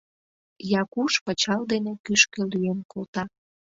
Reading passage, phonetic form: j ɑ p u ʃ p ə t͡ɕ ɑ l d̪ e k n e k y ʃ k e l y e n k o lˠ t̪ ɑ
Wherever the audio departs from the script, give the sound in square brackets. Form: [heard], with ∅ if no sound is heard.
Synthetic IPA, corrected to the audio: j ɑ [k] u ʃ p ə t͡ɕ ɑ l d̪ e [∅] n e k y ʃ k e l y e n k o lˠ t̪ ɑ